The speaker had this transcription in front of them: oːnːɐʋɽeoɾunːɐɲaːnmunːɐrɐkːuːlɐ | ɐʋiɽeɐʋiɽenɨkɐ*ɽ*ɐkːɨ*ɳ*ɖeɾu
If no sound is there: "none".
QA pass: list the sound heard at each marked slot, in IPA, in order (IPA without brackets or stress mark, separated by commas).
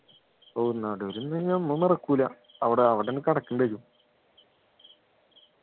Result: ɽ, ɳ